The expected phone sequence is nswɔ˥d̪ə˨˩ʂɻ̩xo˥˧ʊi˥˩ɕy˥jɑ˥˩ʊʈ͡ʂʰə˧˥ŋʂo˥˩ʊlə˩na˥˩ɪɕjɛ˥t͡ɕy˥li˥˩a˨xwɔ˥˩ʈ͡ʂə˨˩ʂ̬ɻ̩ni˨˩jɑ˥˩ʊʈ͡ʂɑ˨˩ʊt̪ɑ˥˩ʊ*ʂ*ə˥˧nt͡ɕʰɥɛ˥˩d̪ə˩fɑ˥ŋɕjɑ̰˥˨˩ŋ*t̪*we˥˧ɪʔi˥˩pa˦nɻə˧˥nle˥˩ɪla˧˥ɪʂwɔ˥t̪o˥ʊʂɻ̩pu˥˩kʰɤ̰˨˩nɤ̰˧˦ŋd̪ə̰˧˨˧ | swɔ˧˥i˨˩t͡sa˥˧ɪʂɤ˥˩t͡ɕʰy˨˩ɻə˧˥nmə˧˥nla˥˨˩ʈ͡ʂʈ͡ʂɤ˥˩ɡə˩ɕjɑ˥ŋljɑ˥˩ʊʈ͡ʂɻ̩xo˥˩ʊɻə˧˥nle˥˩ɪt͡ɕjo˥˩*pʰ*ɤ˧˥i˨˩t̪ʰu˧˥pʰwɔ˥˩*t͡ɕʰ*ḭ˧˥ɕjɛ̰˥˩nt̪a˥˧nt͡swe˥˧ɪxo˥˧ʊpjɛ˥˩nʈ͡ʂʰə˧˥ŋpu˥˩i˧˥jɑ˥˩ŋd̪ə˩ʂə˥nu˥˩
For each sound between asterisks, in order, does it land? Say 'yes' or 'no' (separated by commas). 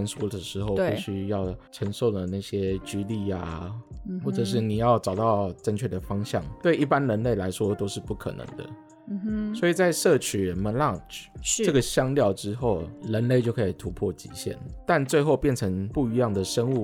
no, yes, no, no